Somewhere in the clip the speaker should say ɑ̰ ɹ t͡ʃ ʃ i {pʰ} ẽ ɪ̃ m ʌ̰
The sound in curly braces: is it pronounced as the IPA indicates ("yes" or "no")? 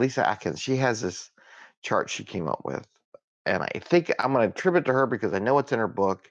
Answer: no